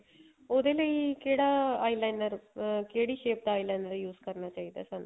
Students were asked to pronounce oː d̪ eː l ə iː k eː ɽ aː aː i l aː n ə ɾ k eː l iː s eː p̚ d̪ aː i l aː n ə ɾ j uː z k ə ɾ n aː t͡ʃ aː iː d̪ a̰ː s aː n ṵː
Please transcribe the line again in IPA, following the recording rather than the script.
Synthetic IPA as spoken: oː d̪ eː l ə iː k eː ɽ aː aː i l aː n ə ɾ k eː ɽ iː ʃ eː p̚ d̪ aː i l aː n ə ɾ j uː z k ə ɾ n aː t͡ʃ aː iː d̪ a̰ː s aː n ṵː